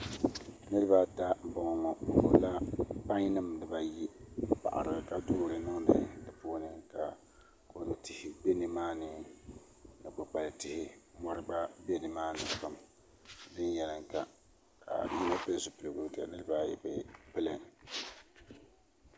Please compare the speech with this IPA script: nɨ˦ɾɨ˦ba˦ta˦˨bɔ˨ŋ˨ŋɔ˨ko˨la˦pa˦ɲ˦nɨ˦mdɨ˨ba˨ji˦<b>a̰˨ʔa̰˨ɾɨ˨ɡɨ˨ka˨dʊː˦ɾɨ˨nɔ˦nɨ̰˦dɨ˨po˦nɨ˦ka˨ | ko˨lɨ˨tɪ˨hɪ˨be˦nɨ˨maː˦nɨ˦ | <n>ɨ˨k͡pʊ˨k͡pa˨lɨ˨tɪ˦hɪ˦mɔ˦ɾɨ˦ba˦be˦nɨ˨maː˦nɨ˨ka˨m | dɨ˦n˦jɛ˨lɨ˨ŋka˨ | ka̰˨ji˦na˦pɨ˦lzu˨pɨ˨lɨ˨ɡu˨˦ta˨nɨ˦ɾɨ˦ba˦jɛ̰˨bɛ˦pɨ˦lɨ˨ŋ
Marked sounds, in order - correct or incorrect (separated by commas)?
incorrect, correct